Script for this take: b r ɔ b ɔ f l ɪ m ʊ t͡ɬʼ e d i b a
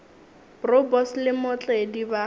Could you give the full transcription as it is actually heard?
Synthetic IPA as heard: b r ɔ b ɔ s l ɪ m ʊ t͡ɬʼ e d i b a